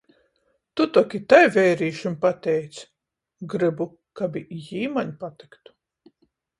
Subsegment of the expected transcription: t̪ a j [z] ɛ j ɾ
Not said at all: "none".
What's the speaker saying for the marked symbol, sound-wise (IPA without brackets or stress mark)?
v